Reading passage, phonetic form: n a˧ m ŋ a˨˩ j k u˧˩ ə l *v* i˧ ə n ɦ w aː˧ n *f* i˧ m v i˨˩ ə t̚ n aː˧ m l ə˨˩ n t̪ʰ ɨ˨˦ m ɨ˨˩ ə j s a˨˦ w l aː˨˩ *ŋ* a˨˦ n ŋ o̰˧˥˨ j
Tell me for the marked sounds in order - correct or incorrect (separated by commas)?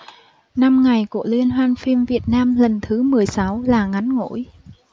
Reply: incorrect, correct, correct